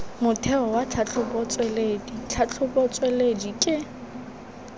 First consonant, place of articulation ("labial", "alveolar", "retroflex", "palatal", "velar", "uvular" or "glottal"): labial